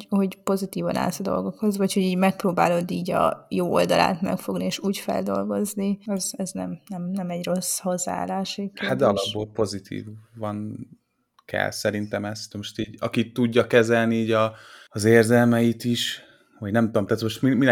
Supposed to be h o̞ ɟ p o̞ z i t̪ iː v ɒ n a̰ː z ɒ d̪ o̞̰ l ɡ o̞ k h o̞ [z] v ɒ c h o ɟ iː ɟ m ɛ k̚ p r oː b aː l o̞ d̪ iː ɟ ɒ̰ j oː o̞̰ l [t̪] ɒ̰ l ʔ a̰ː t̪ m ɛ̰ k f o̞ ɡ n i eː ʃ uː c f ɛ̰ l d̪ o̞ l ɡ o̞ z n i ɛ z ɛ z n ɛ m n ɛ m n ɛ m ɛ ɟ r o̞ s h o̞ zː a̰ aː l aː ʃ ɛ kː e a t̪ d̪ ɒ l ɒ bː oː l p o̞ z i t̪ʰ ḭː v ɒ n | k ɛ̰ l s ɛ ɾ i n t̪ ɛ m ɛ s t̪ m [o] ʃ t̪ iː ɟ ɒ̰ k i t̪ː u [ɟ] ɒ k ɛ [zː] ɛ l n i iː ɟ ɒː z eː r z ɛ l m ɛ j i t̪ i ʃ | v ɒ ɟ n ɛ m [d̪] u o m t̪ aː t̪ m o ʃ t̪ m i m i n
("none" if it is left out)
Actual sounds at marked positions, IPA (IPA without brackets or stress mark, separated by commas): z, d̪, o, ɟː, z, t̪